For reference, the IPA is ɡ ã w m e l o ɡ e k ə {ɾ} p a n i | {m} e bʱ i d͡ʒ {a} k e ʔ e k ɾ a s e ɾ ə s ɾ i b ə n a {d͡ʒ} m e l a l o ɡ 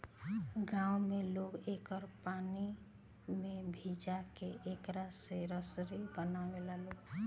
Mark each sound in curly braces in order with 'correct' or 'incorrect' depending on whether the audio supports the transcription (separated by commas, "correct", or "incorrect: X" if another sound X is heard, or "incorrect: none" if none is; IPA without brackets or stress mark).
correct, correct, correct, incorrect: none